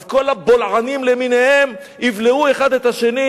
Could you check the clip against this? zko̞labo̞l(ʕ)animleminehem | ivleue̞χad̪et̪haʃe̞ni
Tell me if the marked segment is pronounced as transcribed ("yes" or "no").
yes